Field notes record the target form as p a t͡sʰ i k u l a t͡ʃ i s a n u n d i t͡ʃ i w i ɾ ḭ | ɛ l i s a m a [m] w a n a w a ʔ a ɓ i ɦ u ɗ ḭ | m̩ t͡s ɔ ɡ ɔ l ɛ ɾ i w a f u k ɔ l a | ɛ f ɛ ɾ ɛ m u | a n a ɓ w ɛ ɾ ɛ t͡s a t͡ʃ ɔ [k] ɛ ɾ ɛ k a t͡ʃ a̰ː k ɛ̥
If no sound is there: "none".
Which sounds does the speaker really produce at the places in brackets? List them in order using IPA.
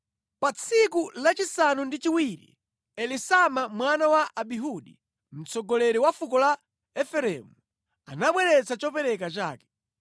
m, p

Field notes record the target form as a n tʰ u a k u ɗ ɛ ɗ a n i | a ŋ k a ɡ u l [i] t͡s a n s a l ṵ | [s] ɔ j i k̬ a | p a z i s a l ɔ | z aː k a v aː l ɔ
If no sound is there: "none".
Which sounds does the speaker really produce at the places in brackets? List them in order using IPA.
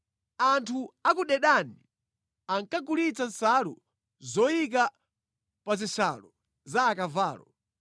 i, z

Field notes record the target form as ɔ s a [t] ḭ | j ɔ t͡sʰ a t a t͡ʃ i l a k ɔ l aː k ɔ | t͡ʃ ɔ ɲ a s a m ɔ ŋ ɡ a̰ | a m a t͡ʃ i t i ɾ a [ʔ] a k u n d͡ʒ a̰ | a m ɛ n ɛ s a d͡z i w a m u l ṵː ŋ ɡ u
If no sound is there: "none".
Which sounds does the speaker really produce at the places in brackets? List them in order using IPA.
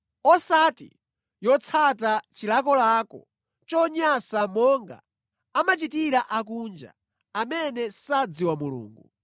t, ʔ

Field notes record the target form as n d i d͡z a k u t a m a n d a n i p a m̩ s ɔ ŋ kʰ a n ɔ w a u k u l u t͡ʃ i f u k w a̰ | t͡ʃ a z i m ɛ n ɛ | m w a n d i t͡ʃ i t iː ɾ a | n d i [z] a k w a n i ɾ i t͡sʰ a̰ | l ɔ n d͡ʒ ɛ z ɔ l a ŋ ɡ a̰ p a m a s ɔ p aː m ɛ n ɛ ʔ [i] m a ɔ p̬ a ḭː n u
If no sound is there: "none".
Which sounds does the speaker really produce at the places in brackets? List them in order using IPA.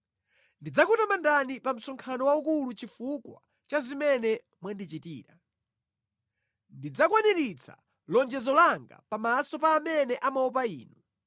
d͡z, a

